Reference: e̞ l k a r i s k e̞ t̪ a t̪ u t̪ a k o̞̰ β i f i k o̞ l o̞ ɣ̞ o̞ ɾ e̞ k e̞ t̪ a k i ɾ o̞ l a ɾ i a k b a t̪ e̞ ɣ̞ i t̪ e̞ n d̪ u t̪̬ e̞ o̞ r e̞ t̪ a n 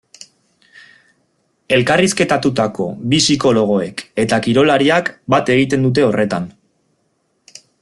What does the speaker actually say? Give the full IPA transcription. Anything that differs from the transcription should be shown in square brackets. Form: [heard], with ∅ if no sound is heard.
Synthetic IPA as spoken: e̞ l k a r i s k e̞ t̪ a t̪ u t̪ a k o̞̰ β i [s] i k o̞ l o̞ ɣ̞ o̞ [∅] e̞ k e̞ t̪ a k i ɾ o̞ l a ɾ i a k b a t̪ e̞ ɣ̞ i t̪ e̞ n d̪ u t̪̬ e̞ o̞ r e̞ t̪ a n